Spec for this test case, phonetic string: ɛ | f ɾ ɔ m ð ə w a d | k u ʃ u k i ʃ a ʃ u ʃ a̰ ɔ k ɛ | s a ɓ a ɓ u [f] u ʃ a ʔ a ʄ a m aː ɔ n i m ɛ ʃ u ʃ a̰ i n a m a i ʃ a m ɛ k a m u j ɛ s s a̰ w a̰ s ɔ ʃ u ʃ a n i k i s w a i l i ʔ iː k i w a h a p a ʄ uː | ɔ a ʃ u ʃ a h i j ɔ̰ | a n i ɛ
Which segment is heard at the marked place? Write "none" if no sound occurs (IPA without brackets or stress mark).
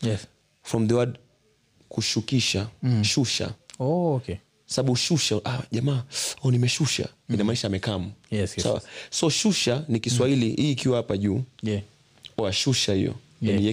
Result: ʃ